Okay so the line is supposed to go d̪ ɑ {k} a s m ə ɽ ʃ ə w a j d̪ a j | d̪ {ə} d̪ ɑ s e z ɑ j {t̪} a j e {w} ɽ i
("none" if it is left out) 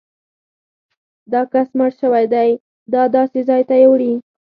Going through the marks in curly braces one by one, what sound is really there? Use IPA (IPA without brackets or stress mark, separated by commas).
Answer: k, ɑ, t̪, w